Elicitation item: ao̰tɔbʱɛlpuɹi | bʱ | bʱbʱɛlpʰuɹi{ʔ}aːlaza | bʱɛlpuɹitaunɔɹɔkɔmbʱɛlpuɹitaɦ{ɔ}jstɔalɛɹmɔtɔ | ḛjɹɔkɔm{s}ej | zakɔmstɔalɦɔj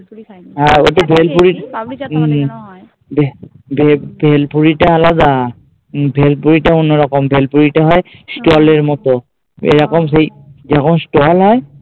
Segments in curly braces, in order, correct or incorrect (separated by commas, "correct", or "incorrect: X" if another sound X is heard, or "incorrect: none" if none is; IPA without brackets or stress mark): incorrect: t, correct, correct